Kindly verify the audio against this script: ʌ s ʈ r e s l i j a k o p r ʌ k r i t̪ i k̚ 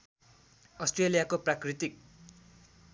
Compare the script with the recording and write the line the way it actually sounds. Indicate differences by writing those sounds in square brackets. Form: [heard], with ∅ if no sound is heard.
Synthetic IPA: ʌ s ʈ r e [∅] l i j a k o p r [a] k r i t̪ i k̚